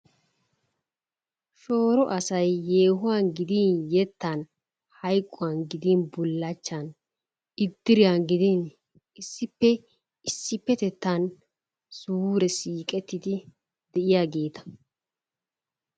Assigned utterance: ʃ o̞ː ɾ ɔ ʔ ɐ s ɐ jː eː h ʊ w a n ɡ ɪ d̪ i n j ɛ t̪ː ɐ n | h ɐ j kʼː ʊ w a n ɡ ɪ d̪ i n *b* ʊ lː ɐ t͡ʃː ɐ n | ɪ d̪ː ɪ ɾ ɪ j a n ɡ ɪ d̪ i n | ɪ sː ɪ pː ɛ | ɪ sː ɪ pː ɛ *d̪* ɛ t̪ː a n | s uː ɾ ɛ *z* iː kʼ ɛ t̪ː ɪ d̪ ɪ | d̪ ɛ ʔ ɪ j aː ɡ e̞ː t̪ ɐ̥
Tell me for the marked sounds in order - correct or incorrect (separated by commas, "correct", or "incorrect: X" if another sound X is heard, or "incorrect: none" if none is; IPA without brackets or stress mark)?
correct, incorrect: t̪, incorrect: s